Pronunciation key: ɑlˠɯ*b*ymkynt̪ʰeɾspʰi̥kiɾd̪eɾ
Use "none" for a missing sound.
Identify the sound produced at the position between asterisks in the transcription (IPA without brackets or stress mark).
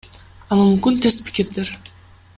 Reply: m